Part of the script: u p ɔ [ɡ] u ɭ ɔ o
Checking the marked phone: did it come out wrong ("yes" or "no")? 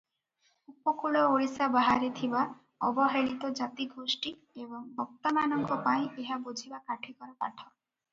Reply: yes